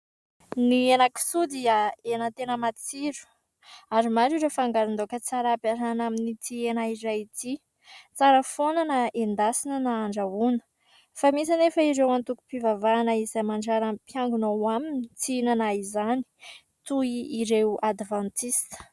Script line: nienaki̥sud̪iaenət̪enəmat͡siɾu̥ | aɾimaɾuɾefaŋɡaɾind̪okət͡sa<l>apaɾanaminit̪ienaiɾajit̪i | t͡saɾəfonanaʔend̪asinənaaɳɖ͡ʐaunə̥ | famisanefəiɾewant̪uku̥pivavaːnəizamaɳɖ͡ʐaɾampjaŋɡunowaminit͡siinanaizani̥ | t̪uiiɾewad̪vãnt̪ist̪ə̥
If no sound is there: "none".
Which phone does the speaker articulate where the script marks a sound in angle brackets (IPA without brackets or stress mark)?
ɾ